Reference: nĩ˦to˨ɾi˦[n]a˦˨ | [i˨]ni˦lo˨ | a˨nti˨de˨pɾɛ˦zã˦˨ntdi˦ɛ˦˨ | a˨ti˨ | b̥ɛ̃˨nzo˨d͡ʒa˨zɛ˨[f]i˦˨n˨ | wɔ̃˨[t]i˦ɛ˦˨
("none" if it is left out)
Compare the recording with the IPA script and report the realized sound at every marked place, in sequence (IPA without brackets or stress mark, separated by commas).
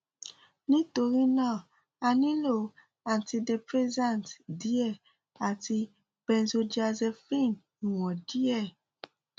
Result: n, a˨, f, d